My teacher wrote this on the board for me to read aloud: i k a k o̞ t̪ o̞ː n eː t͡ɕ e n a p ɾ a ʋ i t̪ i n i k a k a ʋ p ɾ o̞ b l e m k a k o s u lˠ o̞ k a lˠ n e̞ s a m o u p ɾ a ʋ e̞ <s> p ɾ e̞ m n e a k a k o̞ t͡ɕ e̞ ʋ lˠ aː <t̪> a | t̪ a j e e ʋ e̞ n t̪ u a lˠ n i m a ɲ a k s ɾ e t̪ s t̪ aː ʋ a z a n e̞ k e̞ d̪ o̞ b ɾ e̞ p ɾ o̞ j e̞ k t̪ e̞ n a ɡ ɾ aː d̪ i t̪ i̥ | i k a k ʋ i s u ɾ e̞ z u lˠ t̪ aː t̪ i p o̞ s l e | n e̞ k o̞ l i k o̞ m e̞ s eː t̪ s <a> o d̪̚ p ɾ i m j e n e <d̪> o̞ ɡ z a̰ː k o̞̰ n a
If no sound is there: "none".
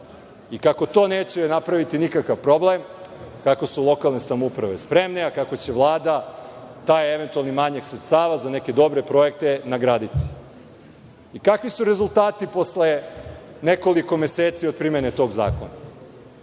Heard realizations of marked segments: s, d̪, i, t̪

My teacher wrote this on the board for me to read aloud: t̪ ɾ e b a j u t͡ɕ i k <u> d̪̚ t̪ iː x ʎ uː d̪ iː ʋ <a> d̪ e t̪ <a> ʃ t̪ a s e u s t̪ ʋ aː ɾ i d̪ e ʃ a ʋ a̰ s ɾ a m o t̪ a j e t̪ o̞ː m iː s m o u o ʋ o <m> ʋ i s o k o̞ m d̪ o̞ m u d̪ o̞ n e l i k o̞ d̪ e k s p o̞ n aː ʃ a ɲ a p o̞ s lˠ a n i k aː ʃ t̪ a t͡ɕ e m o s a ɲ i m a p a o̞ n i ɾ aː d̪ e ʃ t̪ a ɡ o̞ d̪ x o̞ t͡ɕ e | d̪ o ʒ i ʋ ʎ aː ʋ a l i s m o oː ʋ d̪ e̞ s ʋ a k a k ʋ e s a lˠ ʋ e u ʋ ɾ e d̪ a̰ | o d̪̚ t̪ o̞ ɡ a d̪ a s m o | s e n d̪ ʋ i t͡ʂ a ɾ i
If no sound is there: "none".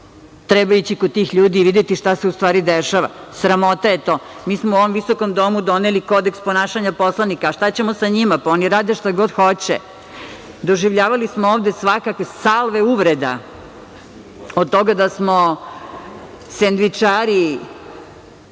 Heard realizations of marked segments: o, i, i, m

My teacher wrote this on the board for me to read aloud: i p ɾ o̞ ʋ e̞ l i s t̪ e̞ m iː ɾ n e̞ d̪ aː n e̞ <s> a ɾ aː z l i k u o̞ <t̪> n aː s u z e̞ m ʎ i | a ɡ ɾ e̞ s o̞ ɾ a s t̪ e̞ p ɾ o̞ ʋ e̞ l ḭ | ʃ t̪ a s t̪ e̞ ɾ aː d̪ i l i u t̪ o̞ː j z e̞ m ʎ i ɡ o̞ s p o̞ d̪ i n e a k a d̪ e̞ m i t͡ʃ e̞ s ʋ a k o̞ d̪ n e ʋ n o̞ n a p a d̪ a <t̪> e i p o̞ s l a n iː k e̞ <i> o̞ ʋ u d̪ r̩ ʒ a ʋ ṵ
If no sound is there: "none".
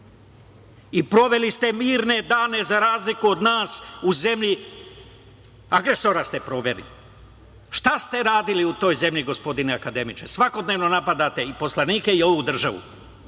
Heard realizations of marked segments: z, d̪, t̪, i

